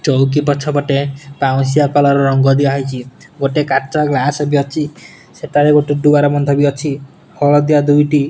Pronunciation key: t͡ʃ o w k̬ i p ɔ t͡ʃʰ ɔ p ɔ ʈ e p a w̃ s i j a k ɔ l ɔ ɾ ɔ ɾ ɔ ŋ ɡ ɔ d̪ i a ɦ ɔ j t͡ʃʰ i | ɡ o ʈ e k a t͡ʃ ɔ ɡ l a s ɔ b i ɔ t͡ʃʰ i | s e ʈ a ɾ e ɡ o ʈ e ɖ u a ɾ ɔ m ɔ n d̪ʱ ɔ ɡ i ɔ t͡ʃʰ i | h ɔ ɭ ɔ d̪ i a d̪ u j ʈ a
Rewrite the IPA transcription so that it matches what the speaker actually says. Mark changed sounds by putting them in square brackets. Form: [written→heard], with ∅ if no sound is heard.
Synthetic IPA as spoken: t͡ʃ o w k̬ i p ɔ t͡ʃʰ ɔ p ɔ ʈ e p a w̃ s i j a k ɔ l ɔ ɾ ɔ ɾ ɔ ŋ ɡ ɔ d̪ i a ɦ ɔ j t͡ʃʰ i | ɡ o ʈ e k a t͡ʃ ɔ ɡ l a s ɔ b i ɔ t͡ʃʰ i | s e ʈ a ɾ e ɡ o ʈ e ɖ u a ɾ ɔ m ɔ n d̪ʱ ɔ [ɡ→b] i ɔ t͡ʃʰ i | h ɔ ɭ ɔ d̪ i a d̪ u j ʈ [a→i]